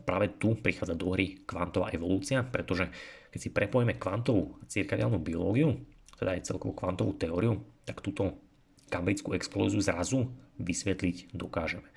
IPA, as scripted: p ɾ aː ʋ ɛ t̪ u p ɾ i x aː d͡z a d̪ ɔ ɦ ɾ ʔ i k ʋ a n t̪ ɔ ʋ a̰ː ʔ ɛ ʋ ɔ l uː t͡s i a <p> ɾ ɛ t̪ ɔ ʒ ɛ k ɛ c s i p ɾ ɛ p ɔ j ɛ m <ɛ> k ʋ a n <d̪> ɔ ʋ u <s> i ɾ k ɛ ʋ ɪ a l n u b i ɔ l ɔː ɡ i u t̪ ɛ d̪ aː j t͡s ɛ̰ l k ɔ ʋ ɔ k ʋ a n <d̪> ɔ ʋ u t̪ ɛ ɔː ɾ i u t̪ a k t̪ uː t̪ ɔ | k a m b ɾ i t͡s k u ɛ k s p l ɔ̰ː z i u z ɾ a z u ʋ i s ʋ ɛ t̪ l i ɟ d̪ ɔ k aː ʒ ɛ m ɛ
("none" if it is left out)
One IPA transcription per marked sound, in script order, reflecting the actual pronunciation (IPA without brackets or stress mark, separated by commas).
p, ɛ, t̪, t͡s, t̪